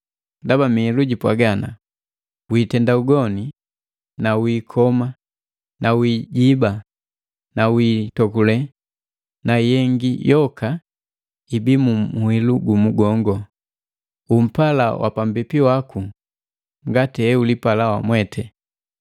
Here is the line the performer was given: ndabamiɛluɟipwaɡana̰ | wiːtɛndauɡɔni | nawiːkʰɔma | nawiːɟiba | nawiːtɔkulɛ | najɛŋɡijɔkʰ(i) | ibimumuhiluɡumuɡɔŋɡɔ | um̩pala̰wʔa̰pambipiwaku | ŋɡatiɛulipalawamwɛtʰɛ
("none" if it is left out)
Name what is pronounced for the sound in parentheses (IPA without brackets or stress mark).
a